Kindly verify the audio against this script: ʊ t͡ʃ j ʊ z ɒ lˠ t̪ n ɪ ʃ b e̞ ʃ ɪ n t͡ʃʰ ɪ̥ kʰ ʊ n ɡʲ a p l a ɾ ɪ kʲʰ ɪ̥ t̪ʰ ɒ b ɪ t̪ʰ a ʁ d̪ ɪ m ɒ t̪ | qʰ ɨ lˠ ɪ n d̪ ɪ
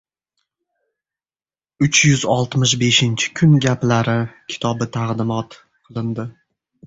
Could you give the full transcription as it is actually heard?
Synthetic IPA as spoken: ʊ t͡ʃ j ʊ z ɒ lˠ t̪ m ɪ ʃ b e̞ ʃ ɪ n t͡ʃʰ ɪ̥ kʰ ʊ n ɡʲ a p l a ɾ ɪ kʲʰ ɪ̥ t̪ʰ ɒ b ɪ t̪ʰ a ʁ d̪ ɪ m ɒ t̪ | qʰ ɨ lˠ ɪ n d̪ ɪ